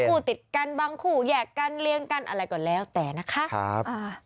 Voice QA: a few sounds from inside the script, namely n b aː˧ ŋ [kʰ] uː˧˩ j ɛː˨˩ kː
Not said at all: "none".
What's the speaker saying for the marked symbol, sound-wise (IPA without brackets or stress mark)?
kʰ